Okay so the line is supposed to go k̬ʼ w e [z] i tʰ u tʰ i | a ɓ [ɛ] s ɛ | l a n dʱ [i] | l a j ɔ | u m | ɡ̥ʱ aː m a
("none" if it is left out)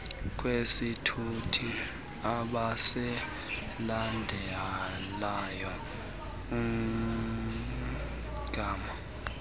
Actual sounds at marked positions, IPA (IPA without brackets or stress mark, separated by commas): s, a, ɛ